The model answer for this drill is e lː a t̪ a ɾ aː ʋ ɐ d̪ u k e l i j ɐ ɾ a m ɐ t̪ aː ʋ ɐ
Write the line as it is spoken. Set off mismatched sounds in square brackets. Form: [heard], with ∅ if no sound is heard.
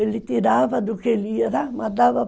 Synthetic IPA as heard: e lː [i] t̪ [i] ɾ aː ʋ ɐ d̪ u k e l i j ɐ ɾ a m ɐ [d̪] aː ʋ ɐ